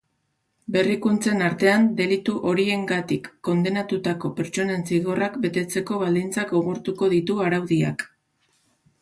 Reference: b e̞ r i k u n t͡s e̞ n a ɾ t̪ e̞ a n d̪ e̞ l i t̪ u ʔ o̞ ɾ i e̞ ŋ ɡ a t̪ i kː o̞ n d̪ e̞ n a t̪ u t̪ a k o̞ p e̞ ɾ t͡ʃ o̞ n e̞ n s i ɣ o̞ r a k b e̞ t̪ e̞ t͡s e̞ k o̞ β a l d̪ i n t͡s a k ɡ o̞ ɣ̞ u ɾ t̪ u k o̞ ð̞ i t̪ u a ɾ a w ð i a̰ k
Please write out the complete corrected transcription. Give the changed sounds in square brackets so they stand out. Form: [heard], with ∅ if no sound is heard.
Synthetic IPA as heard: b e̞ r i k u n t͡s e̞ n a ɾ t̪ e̞ a n d̪ e̞ l i t̪ u ʔ o̞ ɾ i e̞ ŋ ɡ a t̪ i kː o̞ n d̪ e̞ n a t̪ u t̪ a k o̞ p e̞ ɾ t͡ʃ o̞ n e̞ n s i ɣ o̞ r a k b e̞ t̪ e̞ t͡s e̞ k o̞ β a l d̪ i n t͡s a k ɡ o̞ ɣ̞ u ɾ t̪ u k o̞ ð̞ i t̪ u a ɾ a w ð i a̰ k